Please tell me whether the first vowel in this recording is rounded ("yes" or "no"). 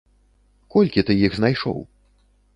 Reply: yes